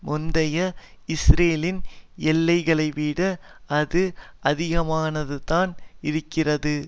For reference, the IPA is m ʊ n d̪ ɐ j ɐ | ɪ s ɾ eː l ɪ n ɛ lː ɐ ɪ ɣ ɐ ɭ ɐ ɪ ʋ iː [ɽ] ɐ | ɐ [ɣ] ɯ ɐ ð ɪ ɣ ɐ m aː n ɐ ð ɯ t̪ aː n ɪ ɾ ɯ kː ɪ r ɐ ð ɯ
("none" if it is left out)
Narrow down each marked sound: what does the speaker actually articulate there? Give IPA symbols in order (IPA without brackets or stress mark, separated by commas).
ɽ, ð